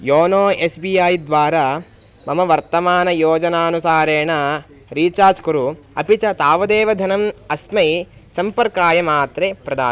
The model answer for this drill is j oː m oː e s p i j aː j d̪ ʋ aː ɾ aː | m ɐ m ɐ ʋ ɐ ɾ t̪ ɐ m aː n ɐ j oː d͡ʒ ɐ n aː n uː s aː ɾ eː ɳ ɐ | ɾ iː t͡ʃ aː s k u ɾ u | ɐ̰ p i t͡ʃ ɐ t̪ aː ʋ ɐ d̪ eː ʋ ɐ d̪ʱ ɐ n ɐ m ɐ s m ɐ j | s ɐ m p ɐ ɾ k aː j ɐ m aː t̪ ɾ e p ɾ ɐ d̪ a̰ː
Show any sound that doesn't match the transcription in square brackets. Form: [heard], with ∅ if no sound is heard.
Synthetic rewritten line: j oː [n] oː e s [b] i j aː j d̪ ʋ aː ɾ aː | m ɐ m ɐ ʋ ɐ ɾ t̪ ɐ m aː n ɐ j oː d͡ʒ ɐ n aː n [u] s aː ɾ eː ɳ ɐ | ɾ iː t͡ʃ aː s k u ɾ u | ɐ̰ p i t͡ʃ ɐ t̪ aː ʋ ɐ d̪ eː ʋ ɐ d̪ʱ ɐ n ɐ m ɐ s m ɐ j | s ɐ m p ɐ ɾ k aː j ɐ m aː t̪ ɾ e p ɾ ɐ d̪ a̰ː

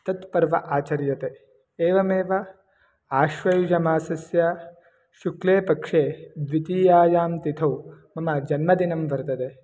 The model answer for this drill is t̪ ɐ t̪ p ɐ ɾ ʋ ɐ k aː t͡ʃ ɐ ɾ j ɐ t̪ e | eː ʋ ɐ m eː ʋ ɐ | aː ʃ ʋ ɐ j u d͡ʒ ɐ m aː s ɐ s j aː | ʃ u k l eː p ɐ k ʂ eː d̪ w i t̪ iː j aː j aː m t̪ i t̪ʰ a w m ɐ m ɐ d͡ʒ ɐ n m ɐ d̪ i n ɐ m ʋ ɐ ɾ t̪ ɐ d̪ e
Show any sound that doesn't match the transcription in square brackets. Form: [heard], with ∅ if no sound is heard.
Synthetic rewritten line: t̪ ɐ t̪ p ɐ ɾ ʋ ɐ [ʔ] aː t͡ʃ ɐ ɾ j ɐ t̪ e | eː ʋ ɐ m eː ʋ ɐ | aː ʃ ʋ ɐ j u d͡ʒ ɐ m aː s ɐ s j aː | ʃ u k l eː p ɐ k ʂ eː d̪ [ʋ] i t̪ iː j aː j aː m t̪ i t̪ʰ [ɐ] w m ɐ m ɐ d͡ʒ ɐ n m ɐ d̪ i n ɐ m ʋ ɐ ɾ t̪ ɐ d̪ e

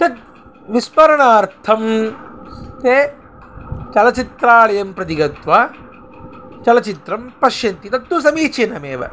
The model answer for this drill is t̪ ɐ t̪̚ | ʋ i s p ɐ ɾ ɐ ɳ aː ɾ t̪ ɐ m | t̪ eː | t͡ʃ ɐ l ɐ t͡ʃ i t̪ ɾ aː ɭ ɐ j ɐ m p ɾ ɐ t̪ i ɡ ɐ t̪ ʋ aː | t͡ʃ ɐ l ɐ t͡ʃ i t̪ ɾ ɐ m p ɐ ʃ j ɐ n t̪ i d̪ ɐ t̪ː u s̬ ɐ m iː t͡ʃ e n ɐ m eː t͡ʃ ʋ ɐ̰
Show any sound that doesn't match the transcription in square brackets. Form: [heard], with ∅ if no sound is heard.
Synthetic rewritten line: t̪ ɐ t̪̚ | ʋ i s p ɐ ɾ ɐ ɳ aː ɾ [t̪ʰ] ɐ m | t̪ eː | t͡ʃ ɐ l ɐ t͡ʃ i t̪ ɾ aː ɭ ɐ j ɐ m p ɾ ɐ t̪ i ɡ ɐ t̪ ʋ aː | t͡ʃ ɐ l ɐ t͡ʃ i t̪ ɾ ɐ m p ɐ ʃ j ɐ n t̪ i [t̪] ɐ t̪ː u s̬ ɐ m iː t͡ʃ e n ɐ m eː [∅] ʋ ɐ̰

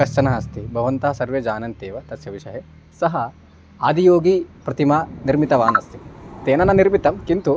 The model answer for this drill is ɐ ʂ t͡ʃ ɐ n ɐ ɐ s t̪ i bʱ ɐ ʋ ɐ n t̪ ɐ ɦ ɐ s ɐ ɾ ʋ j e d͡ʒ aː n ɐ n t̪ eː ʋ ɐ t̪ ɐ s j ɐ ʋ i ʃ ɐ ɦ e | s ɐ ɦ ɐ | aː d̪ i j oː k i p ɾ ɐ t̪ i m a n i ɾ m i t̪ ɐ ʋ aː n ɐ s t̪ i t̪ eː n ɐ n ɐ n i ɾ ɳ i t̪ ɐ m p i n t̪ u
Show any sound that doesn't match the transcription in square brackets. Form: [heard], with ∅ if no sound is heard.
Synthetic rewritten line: ɐ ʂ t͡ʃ ɐ n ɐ ɐ s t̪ i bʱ ɐ ʋ ɐ n t̪ ɐ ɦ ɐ s ɐ ɾ ʋ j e d͡ʒ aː n ɐ n t̪ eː ʋ ɐ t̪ ɐ s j ɐ ʋ i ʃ ɐ ɦ e | s ɐ ɦ ɐ | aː d̪ i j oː [ɡ] i p ɾ ɐ t̪ i m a n i ɾ m i t̪ ɐ ʋ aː n ɐ s t̪ i t̪ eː n ɐ n ɐ n i ɾ [m] i t̪ ɐ m [k] i n t̪ u

